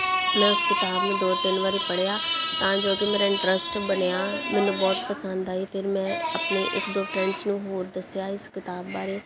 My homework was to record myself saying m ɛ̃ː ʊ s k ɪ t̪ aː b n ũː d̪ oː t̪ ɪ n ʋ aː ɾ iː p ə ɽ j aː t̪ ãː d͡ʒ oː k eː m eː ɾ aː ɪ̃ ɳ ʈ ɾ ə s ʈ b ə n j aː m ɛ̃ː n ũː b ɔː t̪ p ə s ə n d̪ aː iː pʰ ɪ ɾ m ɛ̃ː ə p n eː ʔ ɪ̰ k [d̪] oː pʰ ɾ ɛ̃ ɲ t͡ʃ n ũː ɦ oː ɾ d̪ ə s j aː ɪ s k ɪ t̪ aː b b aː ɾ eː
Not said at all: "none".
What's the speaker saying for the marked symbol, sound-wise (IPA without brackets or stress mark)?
d̪